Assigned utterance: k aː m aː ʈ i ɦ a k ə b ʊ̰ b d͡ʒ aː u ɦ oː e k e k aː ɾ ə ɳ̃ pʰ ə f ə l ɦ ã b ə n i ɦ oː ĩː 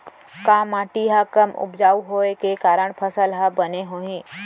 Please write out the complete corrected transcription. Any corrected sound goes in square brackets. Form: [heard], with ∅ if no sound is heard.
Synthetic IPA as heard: k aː m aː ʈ i ɦ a k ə [m] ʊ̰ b d͡ʒ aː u ɦ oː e k e k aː ɾ ə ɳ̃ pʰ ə [s] ə l ɦ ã b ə n [e] ɦ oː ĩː